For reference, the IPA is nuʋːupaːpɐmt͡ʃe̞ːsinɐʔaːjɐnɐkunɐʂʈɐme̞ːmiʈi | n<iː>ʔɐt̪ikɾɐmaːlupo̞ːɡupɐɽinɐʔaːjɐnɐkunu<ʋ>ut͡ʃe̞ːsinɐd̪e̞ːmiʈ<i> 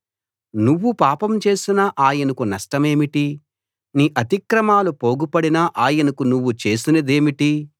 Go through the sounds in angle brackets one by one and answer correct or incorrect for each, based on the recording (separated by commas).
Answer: correct, incorrect, correct